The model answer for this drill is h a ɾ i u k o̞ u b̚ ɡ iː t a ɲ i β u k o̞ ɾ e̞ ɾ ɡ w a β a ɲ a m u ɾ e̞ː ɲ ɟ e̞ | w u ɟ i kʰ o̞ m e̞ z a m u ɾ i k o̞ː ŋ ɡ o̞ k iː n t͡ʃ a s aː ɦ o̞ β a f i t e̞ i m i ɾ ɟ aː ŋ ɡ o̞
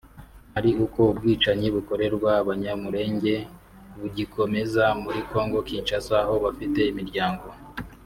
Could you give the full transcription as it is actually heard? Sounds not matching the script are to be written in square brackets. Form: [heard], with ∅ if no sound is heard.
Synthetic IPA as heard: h a ɾ i u k o̞ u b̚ ɡ iː [t͡ʃ] a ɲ i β u k o̞ ɾ e̞ ɾ ɡ w a β a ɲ a m u ɾ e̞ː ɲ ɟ e̞ | [β] u ɟ i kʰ o̞ m e̞ z a m u ɾ i k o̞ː ŋ ɡ o̞ k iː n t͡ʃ a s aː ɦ o̞ β a f i t e̞ i m i ɾ ɟ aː ŋ ɡ o̞